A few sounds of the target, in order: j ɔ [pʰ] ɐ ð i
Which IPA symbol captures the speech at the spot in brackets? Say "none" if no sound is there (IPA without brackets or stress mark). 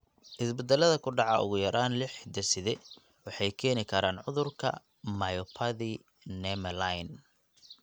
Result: pʰ